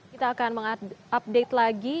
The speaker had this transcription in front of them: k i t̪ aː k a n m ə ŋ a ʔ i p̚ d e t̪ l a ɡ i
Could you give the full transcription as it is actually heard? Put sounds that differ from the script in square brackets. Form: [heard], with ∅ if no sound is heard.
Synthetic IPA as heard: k i t̪ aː k a n m ə ŋ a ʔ [a] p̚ d e t̪ l a ɡ i

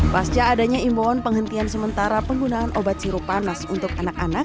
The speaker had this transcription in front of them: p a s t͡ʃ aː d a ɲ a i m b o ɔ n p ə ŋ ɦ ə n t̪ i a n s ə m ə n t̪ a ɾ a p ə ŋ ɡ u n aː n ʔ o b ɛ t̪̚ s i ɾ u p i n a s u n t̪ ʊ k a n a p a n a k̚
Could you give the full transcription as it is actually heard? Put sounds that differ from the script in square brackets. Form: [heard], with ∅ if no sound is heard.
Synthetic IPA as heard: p a s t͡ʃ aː d a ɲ a i m b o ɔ n p ə ŋ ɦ ə n t̪ i a n s ə m ə n t̪ a ɾ a p ə ŋ ɡ u n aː n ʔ o b [a] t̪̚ s i ɾ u p [a] n a s u n t̪ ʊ k a n a [k] a n a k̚

